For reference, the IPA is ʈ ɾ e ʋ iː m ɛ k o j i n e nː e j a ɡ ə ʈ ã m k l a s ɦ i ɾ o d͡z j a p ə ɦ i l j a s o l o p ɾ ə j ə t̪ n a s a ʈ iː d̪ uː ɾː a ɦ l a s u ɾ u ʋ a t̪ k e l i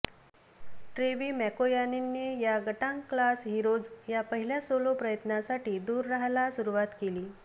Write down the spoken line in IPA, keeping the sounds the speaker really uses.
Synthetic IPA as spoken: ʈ ɾ e ʋ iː m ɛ k o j a n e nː e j a ɡ ə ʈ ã ŋ k l a s ɦ i ɾ o d͡z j a p ə ɦ i l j a s o l o p ɾ ə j ə t̪ n a s a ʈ iː d̪ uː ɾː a ɦ l a s u ɾ u ʋ a t̪ k e l iː